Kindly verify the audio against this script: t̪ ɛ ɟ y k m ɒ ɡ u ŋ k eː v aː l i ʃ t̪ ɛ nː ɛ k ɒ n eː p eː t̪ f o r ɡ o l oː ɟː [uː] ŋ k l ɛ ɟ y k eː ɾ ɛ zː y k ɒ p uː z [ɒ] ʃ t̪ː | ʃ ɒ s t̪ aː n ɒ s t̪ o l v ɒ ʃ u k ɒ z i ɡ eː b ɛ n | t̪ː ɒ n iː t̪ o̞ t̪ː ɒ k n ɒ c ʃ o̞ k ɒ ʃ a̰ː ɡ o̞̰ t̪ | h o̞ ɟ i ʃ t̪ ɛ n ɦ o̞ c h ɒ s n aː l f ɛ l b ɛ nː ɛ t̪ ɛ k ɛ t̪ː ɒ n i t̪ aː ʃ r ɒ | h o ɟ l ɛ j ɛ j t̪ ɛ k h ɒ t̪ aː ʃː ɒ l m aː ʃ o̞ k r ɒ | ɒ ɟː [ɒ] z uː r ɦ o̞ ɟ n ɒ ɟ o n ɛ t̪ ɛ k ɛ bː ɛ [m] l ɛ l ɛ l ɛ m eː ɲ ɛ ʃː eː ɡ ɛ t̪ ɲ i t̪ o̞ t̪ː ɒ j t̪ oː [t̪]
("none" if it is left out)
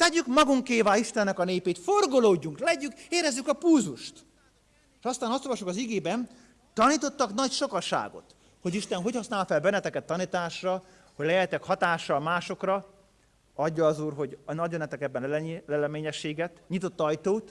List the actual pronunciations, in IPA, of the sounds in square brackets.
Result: u, u, ɒː, n, t̪

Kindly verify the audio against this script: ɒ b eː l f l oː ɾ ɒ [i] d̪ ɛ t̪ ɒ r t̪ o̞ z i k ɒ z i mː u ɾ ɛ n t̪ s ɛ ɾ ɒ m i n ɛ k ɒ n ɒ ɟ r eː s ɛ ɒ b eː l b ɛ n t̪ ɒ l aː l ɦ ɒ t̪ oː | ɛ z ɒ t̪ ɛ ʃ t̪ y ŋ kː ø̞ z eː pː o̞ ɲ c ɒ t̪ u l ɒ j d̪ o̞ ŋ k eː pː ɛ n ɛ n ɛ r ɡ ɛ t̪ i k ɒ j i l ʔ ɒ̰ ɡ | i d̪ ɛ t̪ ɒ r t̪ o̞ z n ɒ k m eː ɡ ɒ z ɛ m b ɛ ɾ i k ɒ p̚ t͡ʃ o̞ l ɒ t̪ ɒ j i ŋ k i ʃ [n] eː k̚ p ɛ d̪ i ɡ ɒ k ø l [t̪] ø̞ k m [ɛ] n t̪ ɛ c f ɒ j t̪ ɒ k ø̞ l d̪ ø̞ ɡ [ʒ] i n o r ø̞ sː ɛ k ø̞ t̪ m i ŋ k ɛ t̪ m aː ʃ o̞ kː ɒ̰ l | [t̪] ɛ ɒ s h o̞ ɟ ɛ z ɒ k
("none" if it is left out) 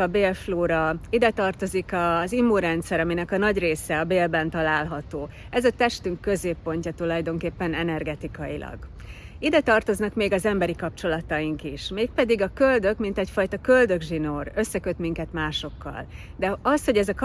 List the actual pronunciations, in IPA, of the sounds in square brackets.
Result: i, m, d̪, i, ʒ, d̪

